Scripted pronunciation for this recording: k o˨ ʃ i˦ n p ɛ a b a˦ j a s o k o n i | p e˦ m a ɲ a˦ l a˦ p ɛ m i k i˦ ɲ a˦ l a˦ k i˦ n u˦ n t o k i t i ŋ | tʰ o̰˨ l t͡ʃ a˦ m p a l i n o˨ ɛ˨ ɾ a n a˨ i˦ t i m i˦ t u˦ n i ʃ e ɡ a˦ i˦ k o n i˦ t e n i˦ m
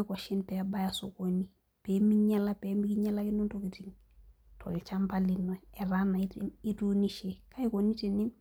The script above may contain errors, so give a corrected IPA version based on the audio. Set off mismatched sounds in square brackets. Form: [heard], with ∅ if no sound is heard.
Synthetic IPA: k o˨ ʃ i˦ n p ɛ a b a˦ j a s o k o n i | p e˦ m [i] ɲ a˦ l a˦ p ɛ m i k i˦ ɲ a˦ l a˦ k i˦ n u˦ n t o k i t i ŋ | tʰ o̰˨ l t͡ʃ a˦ m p a l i n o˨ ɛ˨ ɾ a n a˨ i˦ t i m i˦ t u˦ n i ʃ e [k] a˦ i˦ k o n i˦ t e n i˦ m